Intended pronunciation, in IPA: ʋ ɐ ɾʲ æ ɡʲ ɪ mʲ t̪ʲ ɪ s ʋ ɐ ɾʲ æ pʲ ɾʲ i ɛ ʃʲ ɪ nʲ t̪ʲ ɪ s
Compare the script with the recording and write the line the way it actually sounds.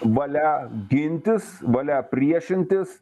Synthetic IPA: ʋ ɐ lʲ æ ɡʲ ɪ nʲ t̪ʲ ɪ s ʋ ɐ lʲ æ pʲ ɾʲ i ɛ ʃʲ ɪ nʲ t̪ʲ ɪ s